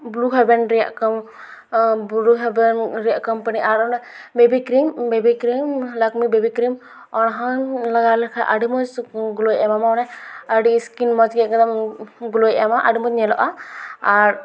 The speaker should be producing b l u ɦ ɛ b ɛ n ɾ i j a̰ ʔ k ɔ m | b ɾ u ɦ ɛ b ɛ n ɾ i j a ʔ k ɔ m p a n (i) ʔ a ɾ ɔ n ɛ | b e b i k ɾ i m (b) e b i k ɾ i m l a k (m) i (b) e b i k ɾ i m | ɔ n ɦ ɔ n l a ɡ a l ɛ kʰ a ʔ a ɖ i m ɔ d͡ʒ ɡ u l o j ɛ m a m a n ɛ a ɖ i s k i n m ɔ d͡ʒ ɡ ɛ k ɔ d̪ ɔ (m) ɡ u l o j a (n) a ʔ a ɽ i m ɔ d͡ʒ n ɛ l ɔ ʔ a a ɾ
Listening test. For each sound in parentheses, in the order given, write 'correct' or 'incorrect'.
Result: correct, correct, correct, correct, correct, incorrect: m

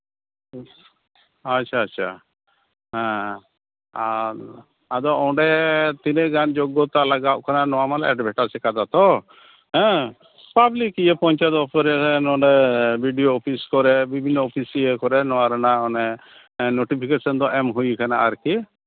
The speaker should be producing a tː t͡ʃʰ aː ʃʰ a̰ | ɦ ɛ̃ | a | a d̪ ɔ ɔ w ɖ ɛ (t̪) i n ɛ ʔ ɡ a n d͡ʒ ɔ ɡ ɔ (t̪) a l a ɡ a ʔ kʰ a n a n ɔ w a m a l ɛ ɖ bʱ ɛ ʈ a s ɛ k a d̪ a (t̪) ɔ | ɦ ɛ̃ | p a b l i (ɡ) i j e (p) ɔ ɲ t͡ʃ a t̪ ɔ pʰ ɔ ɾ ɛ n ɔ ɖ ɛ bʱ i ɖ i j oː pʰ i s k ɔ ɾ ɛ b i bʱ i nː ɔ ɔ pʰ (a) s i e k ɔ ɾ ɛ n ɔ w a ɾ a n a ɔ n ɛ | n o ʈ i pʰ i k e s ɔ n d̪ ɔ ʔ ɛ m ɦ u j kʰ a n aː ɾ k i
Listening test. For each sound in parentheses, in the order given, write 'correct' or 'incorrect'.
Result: correct, correct, correct, incorrect: k, correct, incorrect: i

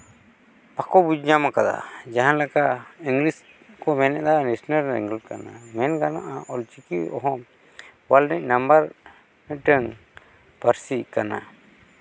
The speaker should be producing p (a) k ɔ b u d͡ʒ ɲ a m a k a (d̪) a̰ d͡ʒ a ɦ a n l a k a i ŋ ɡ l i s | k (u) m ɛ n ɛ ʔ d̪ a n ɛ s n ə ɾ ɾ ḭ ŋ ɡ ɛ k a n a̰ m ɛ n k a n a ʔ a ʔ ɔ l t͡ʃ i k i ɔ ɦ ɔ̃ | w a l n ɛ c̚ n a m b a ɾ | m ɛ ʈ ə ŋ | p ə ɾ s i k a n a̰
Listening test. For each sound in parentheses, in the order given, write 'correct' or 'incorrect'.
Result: correct, correct, incorrect: ɔ

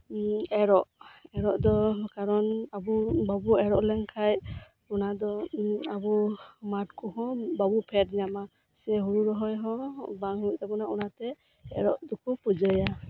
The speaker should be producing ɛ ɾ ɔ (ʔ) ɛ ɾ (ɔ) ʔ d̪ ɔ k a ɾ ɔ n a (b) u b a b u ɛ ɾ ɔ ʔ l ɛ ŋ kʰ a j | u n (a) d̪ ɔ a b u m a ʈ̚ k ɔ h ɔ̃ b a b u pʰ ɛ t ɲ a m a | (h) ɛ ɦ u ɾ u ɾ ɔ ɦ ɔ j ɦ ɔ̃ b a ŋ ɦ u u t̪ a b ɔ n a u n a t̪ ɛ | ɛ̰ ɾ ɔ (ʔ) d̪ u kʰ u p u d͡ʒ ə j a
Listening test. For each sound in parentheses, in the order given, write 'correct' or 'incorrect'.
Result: correct, correct, correct, correct, incorrect: s, correct

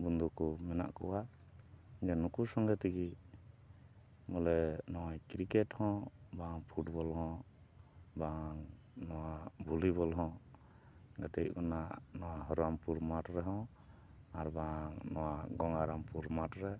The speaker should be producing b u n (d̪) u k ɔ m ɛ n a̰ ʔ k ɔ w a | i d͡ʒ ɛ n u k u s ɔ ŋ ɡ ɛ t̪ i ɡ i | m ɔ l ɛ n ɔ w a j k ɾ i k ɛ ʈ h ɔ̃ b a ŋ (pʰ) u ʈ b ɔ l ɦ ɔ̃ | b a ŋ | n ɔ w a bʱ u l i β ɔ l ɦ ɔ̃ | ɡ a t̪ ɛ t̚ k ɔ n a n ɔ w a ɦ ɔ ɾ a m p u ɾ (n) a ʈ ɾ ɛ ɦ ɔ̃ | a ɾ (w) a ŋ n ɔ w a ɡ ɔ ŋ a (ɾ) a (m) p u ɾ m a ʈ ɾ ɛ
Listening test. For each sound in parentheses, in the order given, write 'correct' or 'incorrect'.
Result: correct, correct, incorrect: m, incorrect: b, correct, correct

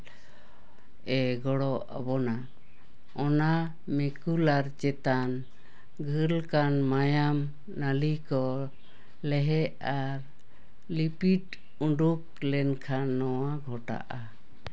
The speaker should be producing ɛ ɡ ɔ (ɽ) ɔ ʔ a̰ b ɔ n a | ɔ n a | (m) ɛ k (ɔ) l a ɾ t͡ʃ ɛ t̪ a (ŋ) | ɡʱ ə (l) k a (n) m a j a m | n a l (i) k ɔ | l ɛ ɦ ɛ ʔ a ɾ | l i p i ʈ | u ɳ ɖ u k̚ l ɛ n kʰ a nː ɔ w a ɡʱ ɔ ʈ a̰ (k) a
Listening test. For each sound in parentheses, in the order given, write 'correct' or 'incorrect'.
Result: correct, correct, incorrect: u, incorrect: n, correct, correct, correct, incorrect: ʔ

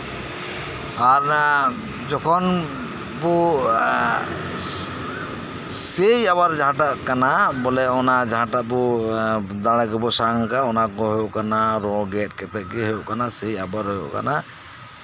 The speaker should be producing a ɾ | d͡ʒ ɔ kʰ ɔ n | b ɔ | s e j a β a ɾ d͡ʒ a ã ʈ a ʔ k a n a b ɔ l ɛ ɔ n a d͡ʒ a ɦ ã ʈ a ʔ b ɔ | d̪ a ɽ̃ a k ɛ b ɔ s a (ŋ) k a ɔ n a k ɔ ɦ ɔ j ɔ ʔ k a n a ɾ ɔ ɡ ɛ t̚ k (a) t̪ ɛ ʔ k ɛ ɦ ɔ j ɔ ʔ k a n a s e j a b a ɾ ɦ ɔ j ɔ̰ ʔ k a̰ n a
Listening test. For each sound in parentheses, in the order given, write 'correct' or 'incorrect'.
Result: correct, incorrect: ɛ

